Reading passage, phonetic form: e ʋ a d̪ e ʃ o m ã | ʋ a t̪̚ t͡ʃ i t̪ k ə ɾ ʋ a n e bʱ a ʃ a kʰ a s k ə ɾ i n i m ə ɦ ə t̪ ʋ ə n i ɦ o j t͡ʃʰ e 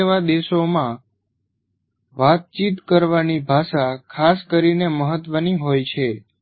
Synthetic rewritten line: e ʋ a d̪ e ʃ o m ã | ʋ a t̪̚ t͡ʃ i t̪ k ə ɾ ʋ a n i bʱ a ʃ a kʰ a s k ə ɾ i n e m ə ɦ ə t̪ ʋ ə n i ɦ o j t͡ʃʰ e